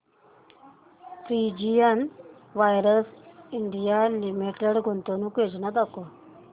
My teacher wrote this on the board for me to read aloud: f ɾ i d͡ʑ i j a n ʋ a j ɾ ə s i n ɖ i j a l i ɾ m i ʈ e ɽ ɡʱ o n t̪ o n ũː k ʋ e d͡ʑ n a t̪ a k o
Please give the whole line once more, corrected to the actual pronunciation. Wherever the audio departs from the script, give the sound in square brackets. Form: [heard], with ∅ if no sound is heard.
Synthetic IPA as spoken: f ɾ i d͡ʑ i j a n ʋ a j ɾ ə s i [ɳ] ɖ i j a l i [∅] m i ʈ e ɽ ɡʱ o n t̪ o n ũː k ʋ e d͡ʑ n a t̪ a k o